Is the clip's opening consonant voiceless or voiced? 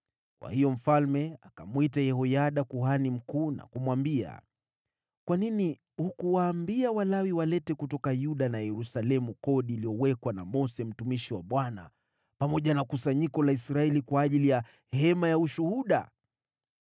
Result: voiceless